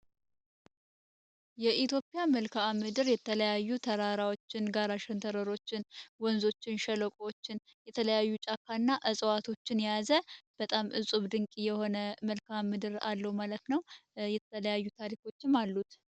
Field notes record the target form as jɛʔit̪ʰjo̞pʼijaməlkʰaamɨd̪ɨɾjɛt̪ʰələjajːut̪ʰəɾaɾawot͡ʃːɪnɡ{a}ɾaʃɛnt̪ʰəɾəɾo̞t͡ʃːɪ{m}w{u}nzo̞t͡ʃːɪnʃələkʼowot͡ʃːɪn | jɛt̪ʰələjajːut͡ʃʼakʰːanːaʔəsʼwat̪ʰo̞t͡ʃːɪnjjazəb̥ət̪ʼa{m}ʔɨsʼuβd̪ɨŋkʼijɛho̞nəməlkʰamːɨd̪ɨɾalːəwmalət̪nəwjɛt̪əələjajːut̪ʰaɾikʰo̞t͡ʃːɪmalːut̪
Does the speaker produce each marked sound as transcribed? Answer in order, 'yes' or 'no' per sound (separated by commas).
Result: yes, no, no, yes